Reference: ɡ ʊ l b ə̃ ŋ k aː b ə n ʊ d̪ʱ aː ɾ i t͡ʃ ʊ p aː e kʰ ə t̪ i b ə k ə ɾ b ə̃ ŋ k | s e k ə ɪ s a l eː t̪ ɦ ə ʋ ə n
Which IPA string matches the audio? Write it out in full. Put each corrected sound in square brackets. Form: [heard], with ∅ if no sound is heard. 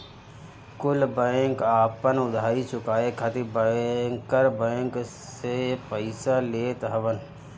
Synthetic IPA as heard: [k] ʊ l b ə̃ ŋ k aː [p] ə n ʊ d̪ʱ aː ɾ i t͡ʃ ʊ [k] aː e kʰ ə t̪ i b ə k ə ɾ b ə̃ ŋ k | s e [p] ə ɪ s a l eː t̪ ɦ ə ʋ ə n